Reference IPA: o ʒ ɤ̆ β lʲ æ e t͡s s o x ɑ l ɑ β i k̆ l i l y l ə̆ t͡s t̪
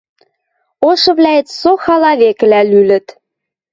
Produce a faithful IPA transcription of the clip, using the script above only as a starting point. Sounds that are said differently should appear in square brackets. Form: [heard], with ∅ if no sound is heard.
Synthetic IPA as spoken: o [ʃ] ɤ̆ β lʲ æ e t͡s s o x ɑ l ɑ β [e] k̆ l [æ] l y l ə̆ [∅] t̪

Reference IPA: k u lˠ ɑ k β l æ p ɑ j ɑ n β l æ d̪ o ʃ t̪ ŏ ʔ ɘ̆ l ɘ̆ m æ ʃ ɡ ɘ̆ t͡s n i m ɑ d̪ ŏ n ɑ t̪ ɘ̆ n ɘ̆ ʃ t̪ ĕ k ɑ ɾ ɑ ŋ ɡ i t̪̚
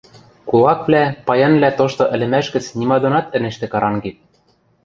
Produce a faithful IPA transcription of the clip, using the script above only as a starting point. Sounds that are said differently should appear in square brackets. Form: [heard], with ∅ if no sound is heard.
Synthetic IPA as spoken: k u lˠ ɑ k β l æ p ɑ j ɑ n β l æ [t̪] o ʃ t̪ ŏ ʔ ɘ̆ l ɘ̆ m æ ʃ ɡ ɘ̆ t͡s n i m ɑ d̪ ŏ n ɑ t̪ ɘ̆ n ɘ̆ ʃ t̪ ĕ k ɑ ɾ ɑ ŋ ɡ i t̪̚

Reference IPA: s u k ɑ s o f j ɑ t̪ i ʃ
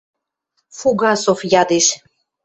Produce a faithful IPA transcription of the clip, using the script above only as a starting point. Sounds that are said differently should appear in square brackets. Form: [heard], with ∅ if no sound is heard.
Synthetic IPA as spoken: [f] u [ɡ] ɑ s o f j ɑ [d̪] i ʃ

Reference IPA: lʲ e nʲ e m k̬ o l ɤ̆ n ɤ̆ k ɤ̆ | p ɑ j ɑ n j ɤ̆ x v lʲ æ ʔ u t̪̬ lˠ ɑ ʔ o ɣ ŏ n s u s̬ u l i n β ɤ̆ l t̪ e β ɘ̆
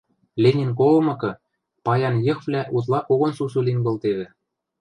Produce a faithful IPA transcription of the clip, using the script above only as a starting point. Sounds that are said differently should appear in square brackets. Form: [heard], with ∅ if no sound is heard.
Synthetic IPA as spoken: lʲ e nʲ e [n] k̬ o l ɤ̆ [m] ɤ̆ k ɤ̆ | p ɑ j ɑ n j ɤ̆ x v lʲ æ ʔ u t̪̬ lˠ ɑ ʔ o ɣ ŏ n s u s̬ u l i n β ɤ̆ l t̪ e β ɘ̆

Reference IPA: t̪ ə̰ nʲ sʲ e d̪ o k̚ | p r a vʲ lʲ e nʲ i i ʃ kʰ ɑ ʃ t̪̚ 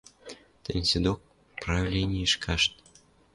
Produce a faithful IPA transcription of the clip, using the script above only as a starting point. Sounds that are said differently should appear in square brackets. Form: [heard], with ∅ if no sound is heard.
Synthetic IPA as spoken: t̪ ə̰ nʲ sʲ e d̪ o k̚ | p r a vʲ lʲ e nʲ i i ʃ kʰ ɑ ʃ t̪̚

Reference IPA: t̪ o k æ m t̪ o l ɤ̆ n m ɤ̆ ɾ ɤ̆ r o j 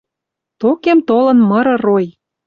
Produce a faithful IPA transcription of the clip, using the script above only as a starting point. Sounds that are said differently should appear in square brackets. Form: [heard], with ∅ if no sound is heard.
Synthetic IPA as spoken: t̪ o k [e] m t̪ o l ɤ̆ n m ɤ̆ ɾ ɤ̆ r o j

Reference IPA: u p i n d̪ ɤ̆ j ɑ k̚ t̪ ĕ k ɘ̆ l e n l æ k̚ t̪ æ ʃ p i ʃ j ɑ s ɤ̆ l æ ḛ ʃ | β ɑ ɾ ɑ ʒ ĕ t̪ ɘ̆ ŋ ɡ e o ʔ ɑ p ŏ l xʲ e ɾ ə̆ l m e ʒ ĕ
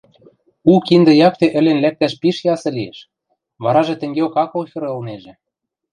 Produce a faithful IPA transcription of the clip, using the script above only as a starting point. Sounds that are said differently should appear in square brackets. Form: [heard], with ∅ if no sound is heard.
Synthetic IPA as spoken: u [k] i n d̪ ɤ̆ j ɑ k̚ t̪ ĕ [ʔ] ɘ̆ l e n l æ k̚ t̪ æ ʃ p i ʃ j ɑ s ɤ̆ l [i] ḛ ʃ | β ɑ ɾ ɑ ʒ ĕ t̪ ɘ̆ ŋ ɡ e o [k] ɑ [k] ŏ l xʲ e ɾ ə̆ l [n] e ʒ ĕ

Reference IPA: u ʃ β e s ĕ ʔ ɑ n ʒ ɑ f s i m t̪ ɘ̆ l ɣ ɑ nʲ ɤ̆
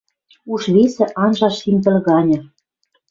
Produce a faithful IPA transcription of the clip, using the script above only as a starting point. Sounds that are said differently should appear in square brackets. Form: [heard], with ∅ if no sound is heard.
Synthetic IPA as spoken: u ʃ β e s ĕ ʔ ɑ n ʒ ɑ [ʃ] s i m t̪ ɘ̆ l ɣ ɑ nʲ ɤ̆

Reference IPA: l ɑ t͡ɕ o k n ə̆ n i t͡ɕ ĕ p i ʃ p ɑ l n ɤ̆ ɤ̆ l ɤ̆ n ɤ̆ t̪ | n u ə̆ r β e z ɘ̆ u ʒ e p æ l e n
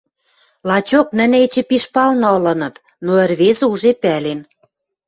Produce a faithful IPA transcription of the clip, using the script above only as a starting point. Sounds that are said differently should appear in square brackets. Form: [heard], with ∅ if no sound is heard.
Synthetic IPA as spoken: l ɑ t͡ɕ o k n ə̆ n [e] t͡ɕ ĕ p i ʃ p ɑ l n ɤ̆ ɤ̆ l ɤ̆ n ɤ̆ t̪ | n [o] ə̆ r β e z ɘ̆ u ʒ e p æ l e n

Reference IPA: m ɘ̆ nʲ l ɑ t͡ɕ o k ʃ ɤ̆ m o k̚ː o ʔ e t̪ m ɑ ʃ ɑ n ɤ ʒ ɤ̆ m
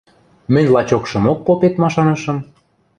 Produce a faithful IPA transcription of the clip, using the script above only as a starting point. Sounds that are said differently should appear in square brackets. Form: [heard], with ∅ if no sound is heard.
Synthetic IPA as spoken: m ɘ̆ nʲ l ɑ t͡ɕ o k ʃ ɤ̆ m o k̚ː o [p] e t̪ m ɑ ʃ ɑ n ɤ [ʃ] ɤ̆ m

